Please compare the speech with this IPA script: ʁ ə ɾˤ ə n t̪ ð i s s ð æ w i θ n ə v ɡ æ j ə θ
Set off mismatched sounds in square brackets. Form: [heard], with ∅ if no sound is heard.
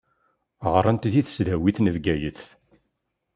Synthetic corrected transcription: ʁ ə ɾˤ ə n t̪ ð i [θ] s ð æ w i θ n ə v ɡ æ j ə θ

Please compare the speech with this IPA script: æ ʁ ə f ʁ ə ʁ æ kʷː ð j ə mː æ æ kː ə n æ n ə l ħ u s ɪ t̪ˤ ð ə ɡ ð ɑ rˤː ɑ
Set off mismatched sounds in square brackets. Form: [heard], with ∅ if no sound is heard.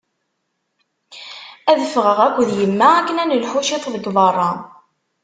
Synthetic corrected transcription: æ [ð] ə f ʁ ə ʁ æ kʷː ð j ə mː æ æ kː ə n æ n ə l ħ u [ʃ] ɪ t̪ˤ ð ə ɡ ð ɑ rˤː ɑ

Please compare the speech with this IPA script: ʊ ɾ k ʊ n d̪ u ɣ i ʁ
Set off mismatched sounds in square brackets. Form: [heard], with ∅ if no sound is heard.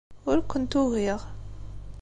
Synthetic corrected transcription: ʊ ɾ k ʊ n [t̪] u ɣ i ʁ

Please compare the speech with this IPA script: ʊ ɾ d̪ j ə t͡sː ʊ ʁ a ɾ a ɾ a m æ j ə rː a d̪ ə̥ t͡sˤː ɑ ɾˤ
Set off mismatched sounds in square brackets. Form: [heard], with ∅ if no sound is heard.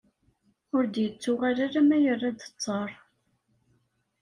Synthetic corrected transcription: ʊ ɾ d̪ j ə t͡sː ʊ ʁ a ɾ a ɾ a m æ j ə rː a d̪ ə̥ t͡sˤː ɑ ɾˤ

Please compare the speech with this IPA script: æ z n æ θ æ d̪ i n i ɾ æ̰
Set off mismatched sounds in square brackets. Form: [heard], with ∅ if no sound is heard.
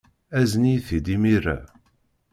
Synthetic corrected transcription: æ z n [i] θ [i] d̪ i [m] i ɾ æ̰

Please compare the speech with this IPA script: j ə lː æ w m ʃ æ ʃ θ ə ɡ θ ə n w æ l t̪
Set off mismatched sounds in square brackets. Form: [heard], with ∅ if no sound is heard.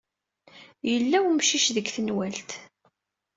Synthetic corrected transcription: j ə lː æ w m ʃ [i] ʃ [ð] ə ɡ θ ə n w æ l t̪

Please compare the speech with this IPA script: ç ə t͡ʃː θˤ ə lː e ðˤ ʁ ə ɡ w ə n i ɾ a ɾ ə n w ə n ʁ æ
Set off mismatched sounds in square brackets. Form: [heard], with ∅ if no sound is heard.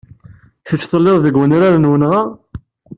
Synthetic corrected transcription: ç ə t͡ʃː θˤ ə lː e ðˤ [ð] ə ɡ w ə n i ɾ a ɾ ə n w ə n ʁ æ

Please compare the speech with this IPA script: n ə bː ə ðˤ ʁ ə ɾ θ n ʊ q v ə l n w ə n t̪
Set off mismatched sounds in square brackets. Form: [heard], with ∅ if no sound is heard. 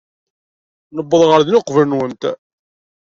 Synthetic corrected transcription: n ə bː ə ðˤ ʁ ə ɾ [ð] n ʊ q v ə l n w ə n t̪

